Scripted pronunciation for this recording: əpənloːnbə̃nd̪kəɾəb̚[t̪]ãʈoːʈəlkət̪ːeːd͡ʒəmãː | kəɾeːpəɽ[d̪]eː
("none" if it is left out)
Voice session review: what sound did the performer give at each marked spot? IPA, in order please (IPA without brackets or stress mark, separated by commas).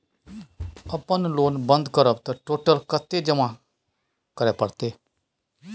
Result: t̪, t̪